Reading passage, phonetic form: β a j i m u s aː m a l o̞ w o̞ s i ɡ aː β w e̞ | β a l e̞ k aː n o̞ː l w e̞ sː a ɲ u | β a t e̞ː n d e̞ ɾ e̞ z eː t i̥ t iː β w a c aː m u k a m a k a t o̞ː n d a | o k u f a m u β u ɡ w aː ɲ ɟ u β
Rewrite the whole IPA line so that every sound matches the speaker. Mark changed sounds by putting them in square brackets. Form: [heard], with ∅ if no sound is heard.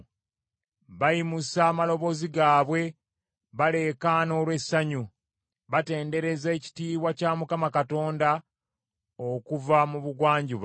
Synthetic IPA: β a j i m u s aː m a l o̞ [β] o̞ [z] i ɡ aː β w e̞ | β a l e̞ k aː n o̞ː l w e̞ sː a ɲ u | β a t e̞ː n d e̞ ɾ e̞ z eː [c] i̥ t iː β w a c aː m u k a m a k a t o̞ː n d a | o k u [v] a m u β u ɡ w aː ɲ ɟ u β